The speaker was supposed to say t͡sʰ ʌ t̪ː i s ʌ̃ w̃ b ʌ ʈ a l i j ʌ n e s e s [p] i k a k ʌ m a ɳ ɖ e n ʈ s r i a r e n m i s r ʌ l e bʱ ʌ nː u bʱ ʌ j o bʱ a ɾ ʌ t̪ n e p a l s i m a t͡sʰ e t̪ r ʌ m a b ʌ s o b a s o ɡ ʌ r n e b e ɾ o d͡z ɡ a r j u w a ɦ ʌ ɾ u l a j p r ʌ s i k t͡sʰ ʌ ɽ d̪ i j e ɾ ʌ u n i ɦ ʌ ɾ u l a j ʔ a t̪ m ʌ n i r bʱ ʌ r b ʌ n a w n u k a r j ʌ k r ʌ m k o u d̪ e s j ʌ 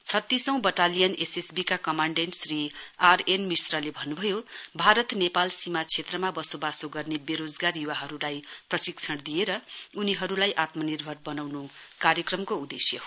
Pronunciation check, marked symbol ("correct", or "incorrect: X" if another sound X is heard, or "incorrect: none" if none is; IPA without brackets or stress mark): incorrect: b